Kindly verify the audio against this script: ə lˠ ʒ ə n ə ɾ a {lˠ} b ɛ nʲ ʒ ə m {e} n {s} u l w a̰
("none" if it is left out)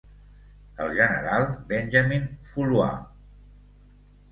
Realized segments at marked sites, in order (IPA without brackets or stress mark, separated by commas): lˠ, i, f